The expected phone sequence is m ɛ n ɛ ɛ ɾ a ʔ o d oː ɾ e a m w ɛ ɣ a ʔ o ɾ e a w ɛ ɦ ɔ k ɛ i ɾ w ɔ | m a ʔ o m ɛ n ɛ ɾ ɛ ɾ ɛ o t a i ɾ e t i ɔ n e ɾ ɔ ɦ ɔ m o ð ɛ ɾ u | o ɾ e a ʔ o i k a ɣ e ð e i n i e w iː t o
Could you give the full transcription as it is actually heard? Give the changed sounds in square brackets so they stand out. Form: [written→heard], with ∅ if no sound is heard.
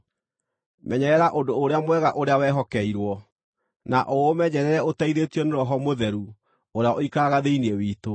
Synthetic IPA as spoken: m ɛ [n→ɲ] ɛ ɛ ɾ a ʔ o d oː ɾ e a m w ɛ ɣ a ʔ o ɾ e a w ɛ ɦ ɔ k ɛ i ɾ w ɔ | [m→n] a ʔ o m ɛ [n→ɲ] ɛ ɾ ɛ ɾ ɛ o t a i ɾ e t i ɔ n e ɾ ɔ ɦ ɔ m o ð ɛ ɾ u | o ɾ e a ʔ o i k a ɣ [e→a] ð e i n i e w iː t o

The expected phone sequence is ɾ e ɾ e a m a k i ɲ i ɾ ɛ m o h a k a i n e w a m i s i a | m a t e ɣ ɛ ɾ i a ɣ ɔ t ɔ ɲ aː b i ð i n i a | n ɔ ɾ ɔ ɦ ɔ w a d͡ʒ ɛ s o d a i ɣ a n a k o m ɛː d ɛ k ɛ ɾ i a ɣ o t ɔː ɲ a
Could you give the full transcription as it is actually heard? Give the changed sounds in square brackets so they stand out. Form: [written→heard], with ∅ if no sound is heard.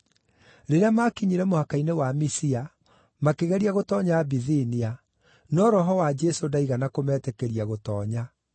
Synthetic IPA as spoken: ɾ e ɾ e a m a k i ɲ i ɾ ɛ m o h a k a i n e w a m i s i a | m a [t→k] e ɣ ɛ ɾ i a ɣ [ɔ→o] t ɔ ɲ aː b i ð i n i a | n ɔ ɾ ɔ ɦ ɔ w a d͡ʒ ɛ s o d a i ɣ a n a k o m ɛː [d→t] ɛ k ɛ ɾ i a ɣ o t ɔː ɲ a

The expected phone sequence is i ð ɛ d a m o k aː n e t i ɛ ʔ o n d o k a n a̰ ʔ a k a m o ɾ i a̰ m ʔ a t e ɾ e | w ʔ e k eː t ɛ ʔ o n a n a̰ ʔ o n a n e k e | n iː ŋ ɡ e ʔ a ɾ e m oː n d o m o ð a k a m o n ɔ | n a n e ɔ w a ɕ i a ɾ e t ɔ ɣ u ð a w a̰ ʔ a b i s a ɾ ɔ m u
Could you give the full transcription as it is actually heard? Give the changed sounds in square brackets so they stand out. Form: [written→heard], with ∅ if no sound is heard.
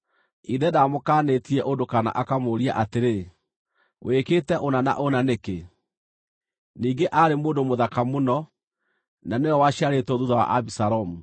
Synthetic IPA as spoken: i ð ɛ d a m o k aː n e t i ɛ ʔ o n d o k a n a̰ ʔ a k a m o ɾ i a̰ [m→∅] ʔ a t e ɾ e | w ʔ e k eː t ɛ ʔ o n a n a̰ ʔ o n a n e k e | n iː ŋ ɡ e ʔ a ɾ e m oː n d o m o ð a k a m o n ɔ | n a n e ɔ w a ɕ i a ɾ e t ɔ [ɣ→ð] u ð a w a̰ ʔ a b i s a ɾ ɔ m u

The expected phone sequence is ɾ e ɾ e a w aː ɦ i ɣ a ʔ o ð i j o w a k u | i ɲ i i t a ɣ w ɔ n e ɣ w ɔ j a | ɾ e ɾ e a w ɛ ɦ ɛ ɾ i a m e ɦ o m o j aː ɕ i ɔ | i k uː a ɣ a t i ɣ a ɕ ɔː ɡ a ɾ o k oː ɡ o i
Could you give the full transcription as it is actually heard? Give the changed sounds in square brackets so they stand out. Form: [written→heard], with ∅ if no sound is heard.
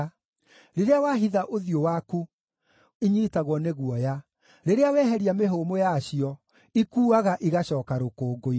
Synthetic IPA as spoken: ɾ e ɾ e a w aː ɦ i [ɣ→ð] a ʔ o ð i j o w a k u | i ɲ i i t a ɣ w ɔ n e ɣ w ɔ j a | ɾ e ɾ e a w ɛ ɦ ɛ ɾ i a m e ɦ o m o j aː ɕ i ɔ | i k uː a ɣ a [t→ʔ] i ɣ a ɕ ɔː [ɡ→k] a ɾ o k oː ɡ o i

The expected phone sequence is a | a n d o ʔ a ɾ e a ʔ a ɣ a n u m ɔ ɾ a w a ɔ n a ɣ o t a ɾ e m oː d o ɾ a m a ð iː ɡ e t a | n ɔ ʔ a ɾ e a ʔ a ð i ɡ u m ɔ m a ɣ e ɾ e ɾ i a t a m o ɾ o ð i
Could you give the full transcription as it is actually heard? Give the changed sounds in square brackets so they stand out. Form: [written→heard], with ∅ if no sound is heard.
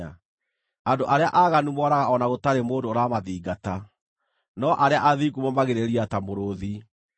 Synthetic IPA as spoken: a | a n d o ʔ a ɾ e a ʔ a ɣ a n u m ɔ ɾ a [w→ɣ] a ɔ n a ɣ o t a ɾ e m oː d o ɾ a m a ð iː ɡ [e→a] t a | n ɔ ʔ a ɾ e a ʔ a ð i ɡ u m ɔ m a ɣ e ɾ e ɾ i a t a m o ɾ o ð i

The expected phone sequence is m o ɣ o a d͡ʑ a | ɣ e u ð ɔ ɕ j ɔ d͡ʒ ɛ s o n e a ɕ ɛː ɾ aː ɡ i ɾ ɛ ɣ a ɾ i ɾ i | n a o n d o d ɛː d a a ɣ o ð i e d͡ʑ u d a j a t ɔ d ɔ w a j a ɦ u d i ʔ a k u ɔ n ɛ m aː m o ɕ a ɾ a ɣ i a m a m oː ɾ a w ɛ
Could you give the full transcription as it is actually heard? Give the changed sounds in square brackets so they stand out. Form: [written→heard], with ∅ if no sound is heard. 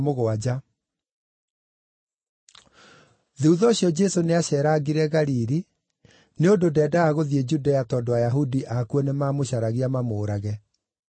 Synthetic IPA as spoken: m o ɣ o a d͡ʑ a | [ɣ→ð] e u ð ɔ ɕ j ɔ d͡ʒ ɛ s o n e a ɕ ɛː ɾ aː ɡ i ɾ ɛ ɣ a ɾ i ɾ i | n [a→e] o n d o d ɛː d a a ɣ o ð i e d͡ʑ u d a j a t ɔ d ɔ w a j a ɦ u d i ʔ a k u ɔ n [ɛ→e] m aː m o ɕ a ɾ a ɣ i a m a m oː ɾ a [w→ɣ] ɛ

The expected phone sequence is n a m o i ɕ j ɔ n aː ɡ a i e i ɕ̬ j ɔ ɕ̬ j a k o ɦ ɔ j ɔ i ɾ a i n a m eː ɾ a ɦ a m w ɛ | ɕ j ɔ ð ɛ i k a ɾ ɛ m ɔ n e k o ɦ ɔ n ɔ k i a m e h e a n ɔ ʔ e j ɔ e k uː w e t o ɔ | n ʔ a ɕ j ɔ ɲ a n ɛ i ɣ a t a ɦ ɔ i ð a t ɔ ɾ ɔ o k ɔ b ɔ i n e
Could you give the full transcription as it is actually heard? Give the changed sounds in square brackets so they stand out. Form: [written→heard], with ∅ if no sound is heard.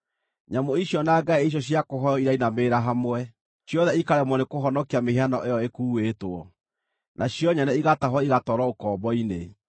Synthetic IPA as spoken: [n→ɲ] a m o i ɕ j ɔ n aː ɡ a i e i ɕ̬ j ɔ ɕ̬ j a k o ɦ ɔ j ɔ i ɾ a i n a m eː ɾ a ɦ a m w ɛ | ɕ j ɔ ð ɛ i k a ɾ ɛ m ɔ n e k o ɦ ɔ n ɔ k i a m e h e a n ɔ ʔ e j ɔ e k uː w e t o ɔ | n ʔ a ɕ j ɔ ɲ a n ɛ i ɣ a t a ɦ ɔ i [ð→ɣ] a t ɔ ɾ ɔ o k ɔ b ɔ i n e

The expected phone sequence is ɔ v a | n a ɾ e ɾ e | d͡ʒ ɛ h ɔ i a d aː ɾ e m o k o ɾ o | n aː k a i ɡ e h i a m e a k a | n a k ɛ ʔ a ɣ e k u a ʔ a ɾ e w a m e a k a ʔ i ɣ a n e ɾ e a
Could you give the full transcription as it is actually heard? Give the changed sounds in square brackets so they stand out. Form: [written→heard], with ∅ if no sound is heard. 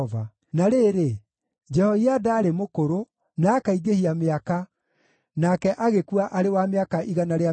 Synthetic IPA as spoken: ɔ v a | n a ɾ e ɾ e | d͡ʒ ɛ h ɔ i a d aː ɾ e m o k o ɾ o | n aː k a i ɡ e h i a m e a k a | n a k ɛ ʔ a ɣ e k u a ʔ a ɾ e w a m e a k a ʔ i ɣ a n [e→a] ɾ e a

